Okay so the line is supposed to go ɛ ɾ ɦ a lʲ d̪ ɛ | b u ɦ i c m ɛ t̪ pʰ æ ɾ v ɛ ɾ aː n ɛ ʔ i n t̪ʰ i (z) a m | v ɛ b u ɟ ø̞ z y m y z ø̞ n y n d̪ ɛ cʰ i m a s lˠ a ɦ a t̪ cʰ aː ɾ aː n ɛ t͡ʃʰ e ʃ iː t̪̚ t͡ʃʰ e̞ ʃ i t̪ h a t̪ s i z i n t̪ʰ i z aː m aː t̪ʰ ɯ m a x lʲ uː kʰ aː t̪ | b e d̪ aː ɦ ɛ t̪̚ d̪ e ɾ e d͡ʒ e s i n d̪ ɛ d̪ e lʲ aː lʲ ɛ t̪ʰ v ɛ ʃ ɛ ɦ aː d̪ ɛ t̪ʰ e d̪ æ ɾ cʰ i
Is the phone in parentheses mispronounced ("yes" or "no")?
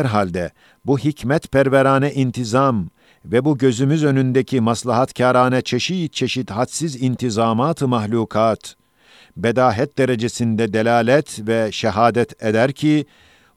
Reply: no